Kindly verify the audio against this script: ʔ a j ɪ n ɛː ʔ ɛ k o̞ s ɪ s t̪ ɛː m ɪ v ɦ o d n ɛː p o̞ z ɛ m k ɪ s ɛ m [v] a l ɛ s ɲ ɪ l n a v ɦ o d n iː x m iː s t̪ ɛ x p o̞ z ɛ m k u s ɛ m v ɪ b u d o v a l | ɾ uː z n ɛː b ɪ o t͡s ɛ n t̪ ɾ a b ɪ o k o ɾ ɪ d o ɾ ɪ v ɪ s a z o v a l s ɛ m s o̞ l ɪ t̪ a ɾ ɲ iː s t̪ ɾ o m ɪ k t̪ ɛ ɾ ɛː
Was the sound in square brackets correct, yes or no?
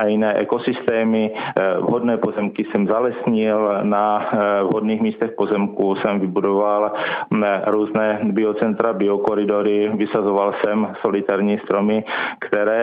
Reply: no